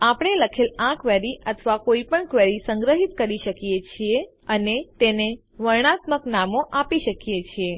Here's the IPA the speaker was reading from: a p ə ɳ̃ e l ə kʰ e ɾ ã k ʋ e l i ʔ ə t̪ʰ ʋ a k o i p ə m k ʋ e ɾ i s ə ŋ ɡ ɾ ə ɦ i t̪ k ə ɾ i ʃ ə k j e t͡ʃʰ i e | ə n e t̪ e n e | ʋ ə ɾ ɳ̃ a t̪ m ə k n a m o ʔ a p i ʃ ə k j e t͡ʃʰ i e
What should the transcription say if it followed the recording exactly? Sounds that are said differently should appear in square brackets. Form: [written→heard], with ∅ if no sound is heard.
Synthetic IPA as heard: a p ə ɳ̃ e l ə kʰ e [ɾ→l] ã k ʋ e [l→ɾ] i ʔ ə t̪ʰ ʋ a k o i p ə [m→ɳ] k ʋ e ɾ i s ə ŋ ɡ ɾ ə ɦ i t̪ k ə ɾ i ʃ ə k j e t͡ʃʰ i e | ə n e t̪ e n e | ʋ ə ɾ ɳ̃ a t̪ m ə k n a m o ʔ a p i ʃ ə k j e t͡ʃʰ i e

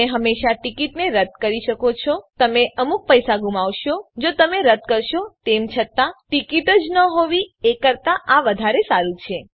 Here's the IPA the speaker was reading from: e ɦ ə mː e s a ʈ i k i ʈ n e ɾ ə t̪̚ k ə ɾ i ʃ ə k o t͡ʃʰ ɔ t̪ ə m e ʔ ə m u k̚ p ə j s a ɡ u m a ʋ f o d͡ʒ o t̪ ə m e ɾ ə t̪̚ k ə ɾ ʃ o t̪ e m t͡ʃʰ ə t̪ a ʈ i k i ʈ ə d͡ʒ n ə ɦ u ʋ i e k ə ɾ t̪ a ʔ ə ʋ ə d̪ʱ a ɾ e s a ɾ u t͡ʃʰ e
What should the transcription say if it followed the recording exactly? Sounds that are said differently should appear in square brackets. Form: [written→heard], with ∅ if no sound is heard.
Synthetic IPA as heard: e ɦ ə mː e [s→ʃ] a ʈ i k i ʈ n e ɾ ə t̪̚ k ə ɾ i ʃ ə k o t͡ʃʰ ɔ t̪ ə m e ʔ ə m u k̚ p ə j s a ɡ u m a ʋ [f→ʃ] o d͡ʒ o t̪ ə m e ɾ ə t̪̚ k ə ɾ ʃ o t̪ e m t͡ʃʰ ə t̪ a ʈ i k i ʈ ə d͡ʒ n ə ɦ [u→o] ʋ i e k ə ɾ t̪ a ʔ [ə→a] ʋ ə d̪ʱ a ɾ e s a ɾ u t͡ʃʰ e

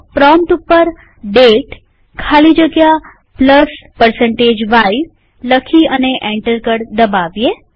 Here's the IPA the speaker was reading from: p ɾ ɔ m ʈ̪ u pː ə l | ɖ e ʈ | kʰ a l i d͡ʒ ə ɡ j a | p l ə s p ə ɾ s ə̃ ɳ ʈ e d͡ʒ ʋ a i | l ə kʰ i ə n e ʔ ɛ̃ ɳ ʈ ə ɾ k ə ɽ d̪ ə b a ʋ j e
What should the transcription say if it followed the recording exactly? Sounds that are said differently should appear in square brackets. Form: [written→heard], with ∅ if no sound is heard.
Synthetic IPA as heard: p ɾ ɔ m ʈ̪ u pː ə [l→ɾ] | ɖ e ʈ | kʰ a l i d͡ʒ ə ɡ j a | p l ə s p ə ɾ s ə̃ ɳ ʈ e d͡ʒ ʋ a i | l ə kʰ i ə n e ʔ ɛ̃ ɳ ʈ ə ɾ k ə ɽ d̪ ə b a ʋ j e

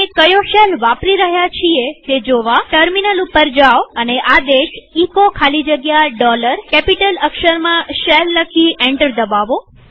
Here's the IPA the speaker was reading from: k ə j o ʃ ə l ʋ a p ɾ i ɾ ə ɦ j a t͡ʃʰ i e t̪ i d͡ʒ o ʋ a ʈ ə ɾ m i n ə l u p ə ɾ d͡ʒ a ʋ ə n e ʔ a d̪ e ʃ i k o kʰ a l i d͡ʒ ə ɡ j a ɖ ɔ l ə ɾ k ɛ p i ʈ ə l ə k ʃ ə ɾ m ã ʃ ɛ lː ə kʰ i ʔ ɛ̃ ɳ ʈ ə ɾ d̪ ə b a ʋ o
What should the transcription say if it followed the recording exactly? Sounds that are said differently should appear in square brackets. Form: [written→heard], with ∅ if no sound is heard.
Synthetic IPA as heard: k ə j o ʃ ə l ʋ a p ɾ i ɾ ə ɦ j a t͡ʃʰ i e t̪ [i→e] d͡ʒ o ʋ a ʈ ə ɾ m i n ə l u p ə ɾ d͡ʒ a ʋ ə n e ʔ a d̪ e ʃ i k o kʰ a l i d͡ʒ ə ɡ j a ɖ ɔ l ə ɾ k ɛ p i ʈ ə l ə k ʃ ə ɾ m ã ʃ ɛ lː ə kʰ i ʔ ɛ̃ ɳ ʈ ə ɾ d̪ ə b a ʋ o

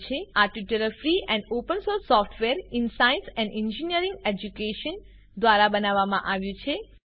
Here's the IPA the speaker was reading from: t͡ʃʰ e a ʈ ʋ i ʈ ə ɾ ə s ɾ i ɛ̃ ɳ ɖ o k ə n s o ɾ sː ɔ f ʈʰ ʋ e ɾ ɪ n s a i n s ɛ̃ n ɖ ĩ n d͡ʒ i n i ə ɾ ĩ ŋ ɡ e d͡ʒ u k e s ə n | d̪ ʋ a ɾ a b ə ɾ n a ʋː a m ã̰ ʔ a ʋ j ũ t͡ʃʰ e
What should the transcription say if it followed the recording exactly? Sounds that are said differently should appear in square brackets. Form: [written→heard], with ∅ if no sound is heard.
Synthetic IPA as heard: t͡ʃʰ e a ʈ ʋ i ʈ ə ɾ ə [s→f] ɾ i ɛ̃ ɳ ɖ o [k→p] ə n s o ɾ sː ɔ f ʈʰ ʋ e ɾ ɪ n s a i n s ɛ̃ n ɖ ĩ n d͡ʒ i n i ə ɾ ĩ ŋ ɡ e d͡ʒ u k e [s→ʃ] ə n | d̪ ʋ a ɾ a b ə [ɾ→∅] n a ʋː a m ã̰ ʔ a ʋ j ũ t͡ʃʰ e

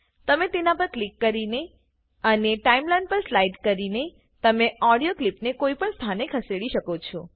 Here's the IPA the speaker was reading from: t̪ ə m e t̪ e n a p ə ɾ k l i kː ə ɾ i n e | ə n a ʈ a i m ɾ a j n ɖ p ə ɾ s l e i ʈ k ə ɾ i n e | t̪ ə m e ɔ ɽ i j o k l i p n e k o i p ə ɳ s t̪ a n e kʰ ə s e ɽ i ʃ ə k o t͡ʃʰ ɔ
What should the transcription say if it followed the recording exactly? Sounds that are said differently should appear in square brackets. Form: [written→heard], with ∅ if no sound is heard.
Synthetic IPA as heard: t̪ ə m e t̪ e n a p ə ɾ k l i kː ə ɾ i n e | ə n [a→e] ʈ a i m [ɾ→l] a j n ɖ p ə ɾ s l [e→a] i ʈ k ə ɾ i n e | t̪ ə m e ɔ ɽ i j o k l i p n e k o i p ə ɳ s [t̪→t̪ʰ] a n e kʰ ə s e ɽ i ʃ ə k o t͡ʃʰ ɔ

